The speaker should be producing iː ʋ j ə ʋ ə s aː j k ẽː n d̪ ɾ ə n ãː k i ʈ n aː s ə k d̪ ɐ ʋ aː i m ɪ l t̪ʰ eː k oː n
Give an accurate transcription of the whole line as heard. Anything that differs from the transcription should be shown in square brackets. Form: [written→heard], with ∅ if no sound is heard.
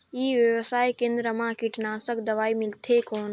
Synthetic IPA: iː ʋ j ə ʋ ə s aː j k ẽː n d̪ ɾ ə [n→m] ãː k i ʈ n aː s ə k d̪ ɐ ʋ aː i m ɪ l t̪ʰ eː k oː n